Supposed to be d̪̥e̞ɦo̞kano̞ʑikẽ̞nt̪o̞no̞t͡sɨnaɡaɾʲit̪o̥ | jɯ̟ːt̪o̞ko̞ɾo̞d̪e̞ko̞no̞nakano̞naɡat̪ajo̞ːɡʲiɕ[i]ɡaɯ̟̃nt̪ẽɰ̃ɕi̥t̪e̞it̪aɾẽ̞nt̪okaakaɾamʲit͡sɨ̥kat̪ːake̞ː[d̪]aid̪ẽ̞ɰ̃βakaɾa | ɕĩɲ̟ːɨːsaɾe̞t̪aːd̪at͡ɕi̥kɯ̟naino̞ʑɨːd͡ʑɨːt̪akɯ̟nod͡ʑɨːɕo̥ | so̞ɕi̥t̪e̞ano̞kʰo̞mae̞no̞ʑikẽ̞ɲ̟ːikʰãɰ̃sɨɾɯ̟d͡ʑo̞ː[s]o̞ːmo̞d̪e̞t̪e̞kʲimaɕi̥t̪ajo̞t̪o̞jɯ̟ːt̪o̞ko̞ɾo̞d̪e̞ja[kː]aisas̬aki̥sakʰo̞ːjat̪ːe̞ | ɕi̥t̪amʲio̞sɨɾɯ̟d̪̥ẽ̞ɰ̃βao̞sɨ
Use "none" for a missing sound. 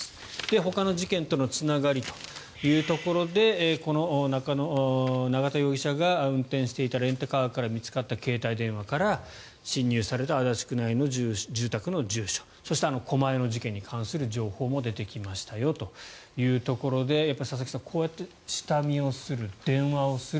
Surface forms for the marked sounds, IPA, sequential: a, t̪, h, pː

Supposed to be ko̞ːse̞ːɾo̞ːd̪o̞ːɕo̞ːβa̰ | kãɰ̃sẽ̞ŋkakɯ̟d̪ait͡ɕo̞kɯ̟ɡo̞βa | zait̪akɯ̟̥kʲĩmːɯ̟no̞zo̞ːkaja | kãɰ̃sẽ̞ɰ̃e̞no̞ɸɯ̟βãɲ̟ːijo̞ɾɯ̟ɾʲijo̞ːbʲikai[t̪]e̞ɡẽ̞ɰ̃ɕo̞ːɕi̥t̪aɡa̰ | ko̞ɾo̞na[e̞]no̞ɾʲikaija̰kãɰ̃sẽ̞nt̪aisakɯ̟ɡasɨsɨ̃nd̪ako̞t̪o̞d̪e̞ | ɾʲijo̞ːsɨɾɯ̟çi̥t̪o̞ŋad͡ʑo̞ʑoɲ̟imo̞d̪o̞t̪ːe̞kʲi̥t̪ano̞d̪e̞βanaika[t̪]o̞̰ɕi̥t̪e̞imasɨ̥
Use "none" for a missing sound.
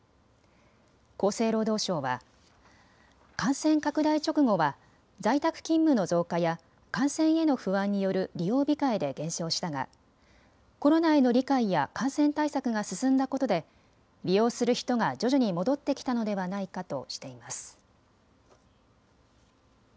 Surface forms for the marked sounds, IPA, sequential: d̪, e̞, t̪

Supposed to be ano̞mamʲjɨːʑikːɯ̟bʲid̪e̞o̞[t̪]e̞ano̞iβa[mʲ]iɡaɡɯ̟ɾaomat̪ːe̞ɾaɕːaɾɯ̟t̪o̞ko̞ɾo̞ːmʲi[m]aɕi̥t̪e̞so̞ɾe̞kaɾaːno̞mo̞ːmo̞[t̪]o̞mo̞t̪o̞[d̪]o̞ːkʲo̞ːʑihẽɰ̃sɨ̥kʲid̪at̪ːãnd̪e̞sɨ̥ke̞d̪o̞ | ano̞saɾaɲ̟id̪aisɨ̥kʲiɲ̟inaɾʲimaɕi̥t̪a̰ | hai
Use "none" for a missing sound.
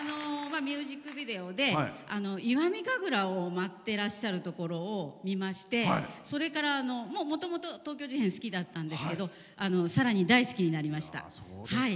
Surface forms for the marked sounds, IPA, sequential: d̪, mʲ, m, t̪, t̪

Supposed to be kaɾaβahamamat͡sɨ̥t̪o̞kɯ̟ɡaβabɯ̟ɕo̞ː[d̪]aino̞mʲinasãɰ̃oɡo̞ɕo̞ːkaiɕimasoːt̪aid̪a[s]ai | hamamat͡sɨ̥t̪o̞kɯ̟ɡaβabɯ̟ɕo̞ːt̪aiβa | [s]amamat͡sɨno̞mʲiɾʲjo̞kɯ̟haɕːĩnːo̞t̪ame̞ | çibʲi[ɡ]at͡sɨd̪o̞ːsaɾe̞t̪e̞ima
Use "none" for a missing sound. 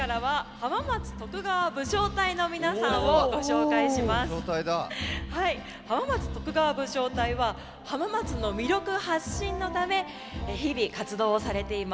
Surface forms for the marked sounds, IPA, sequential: t̪, h, h, k

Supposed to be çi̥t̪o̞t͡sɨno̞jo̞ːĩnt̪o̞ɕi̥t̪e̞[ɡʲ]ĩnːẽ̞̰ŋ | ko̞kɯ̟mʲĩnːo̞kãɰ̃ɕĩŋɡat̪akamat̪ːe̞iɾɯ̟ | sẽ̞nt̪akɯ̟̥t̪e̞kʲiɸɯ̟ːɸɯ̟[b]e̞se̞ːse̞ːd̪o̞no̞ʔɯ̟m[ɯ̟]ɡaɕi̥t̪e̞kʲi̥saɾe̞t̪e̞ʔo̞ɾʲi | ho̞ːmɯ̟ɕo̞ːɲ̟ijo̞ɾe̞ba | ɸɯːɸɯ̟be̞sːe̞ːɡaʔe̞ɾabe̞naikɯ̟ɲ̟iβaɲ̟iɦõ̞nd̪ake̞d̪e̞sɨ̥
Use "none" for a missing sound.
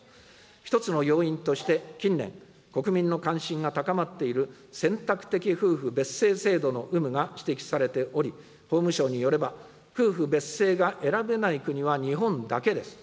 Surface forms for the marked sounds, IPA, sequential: kʲ, b, ɯ̟

